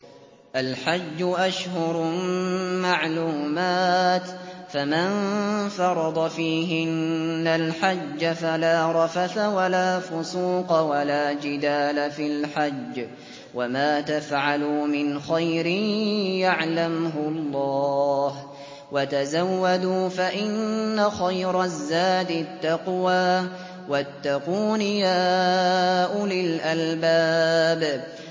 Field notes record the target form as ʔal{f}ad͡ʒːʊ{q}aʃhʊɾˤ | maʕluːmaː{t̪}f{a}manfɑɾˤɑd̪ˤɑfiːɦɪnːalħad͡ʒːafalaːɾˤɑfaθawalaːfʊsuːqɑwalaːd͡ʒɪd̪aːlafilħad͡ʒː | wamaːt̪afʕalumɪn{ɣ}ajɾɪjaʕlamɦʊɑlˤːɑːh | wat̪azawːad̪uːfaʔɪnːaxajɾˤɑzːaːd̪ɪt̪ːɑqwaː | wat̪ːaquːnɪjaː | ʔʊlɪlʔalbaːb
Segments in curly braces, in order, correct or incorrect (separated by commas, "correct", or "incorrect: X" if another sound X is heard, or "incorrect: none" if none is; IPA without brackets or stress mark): incorrect: ħ, incorrect: ʔ, correct, correct, incorrect: x